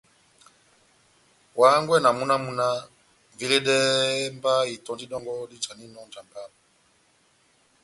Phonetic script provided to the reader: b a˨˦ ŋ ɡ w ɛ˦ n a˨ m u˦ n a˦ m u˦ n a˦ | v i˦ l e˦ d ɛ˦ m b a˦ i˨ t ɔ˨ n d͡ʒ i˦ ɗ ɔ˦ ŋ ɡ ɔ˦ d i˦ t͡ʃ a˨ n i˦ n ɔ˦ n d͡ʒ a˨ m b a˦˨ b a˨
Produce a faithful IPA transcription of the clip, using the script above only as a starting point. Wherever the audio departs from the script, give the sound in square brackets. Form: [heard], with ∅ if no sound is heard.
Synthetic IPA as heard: [w] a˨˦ ŋ ɡ w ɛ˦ n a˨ m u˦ n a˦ m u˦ n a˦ | v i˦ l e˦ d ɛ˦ m b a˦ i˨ t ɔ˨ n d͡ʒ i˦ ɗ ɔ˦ ŋ ɡ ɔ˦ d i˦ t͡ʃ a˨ n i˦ n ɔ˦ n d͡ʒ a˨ m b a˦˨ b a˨